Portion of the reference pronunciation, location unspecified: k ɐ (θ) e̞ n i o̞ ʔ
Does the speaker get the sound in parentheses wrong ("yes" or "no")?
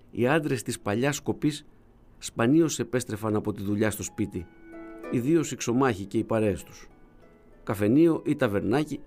yes